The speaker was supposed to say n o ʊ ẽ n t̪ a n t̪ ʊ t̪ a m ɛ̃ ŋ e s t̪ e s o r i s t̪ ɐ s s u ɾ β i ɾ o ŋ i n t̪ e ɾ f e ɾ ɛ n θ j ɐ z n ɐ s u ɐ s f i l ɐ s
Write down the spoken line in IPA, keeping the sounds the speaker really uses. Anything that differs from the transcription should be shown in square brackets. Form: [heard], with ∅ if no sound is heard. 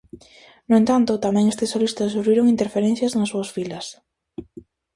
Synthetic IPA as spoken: n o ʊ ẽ n t̪ a n t̪ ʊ t̪ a m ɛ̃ ŋ e s t̪ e s o [l] i s t̪ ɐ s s u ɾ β i ɾ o ŋ i n t̪ e ɾ f e ɾ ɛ n θ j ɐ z n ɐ s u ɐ s f i l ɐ s